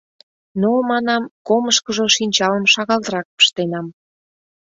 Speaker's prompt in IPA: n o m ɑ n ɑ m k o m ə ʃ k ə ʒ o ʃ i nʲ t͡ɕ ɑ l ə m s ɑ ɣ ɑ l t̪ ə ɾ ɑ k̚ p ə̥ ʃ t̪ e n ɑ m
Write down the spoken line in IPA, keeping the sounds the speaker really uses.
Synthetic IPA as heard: n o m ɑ n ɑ m k o m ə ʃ k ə ʒ o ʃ i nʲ t͡ɕ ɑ l ə m ʃ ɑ ɣ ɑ l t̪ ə ɾ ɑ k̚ p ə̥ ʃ t̪ e n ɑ m